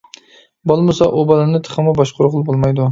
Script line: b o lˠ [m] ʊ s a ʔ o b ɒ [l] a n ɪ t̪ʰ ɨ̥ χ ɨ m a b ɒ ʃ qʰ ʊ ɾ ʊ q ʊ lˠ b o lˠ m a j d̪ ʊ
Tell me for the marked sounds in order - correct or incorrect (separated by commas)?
correct, correct